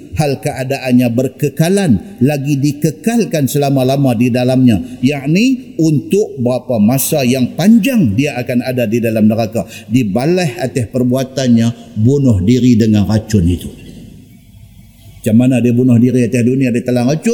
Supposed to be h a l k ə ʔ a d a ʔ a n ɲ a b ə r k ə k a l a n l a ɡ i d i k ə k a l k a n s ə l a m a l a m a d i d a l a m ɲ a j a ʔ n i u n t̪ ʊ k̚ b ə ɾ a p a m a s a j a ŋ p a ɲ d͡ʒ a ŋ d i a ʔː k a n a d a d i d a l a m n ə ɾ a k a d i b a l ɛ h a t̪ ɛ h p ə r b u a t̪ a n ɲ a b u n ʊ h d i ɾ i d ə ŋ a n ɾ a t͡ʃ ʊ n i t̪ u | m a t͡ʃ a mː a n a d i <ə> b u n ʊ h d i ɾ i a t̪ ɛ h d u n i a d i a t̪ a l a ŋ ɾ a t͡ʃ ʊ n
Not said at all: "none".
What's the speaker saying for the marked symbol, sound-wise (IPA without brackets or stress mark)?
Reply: a